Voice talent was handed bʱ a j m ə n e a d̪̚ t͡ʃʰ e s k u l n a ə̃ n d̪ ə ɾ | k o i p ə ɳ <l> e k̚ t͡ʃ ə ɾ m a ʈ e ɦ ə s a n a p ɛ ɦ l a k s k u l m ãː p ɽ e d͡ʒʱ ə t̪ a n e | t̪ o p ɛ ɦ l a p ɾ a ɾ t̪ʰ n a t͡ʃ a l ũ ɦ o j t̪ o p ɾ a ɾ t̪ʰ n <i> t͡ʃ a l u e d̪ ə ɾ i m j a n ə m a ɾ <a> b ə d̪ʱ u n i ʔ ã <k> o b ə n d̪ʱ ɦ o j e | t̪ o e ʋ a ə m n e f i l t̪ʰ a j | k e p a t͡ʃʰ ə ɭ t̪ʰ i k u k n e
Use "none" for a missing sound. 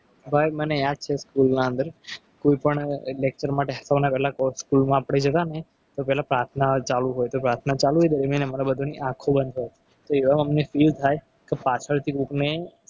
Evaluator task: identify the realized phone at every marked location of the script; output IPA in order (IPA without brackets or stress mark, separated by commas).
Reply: l, a, a, kʰ